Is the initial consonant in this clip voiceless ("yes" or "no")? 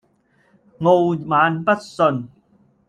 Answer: no